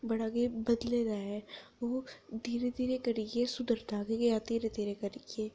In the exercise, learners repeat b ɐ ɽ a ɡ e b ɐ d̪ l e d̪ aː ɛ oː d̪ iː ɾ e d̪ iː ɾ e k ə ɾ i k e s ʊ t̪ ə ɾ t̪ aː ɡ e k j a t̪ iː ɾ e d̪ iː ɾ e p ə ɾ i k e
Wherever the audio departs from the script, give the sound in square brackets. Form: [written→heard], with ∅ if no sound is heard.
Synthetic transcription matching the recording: b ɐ ɽ a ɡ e b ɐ d̪ l e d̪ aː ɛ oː d̪ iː ɾ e d̪ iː ɾ e k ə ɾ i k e s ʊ [t̪→d̪] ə ɾ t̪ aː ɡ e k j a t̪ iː ɾ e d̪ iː ɾ e [p→k] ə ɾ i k e